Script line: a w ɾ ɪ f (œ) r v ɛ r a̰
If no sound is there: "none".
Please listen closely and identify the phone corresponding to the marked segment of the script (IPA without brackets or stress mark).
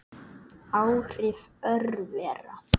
œ